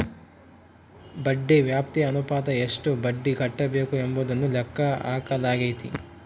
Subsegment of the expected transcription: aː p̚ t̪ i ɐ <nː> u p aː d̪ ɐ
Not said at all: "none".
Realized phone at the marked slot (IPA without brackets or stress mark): n